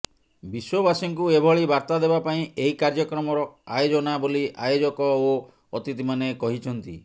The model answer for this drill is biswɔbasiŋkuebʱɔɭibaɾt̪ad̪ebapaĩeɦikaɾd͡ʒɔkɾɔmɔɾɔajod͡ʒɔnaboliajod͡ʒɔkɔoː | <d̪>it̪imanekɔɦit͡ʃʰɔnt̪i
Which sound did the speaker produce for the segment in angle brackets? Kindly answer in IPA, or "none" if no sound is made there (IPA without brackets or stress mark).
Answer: t̪